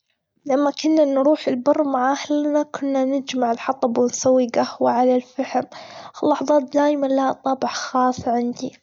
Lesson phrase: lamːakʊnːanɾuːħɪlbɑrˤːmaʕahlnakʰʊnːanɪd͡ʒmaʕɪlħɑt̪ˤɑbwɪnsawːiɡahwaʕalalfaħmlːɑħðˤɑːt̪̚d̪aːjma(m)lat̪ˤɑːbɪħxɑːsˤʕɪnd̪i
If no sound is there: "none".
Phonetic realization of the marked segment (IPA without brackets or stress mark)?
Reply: n